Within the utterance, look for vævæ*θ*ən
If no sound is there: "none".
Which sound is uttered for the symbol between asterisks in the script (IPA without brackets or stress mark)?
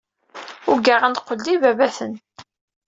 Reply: θ